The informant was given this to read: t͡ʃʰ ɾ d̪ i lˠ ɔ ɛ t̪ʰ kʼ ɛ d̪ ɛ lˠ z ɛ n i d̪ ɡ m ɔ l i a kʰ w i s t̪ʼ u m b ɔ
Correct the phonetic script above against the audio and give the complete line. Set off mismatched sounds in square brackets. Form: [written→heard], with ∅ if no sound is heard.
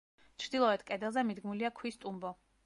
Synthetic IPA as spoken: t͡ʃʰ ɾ d̪ i lˠ ɔ ɛ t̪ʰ kʼ ɛ d̪ ɛ lˠ z ɛ [n→m] i d̪ ɡ m [ɔ→u] l i a kʰ w i s t̪ʼ u m b ɔ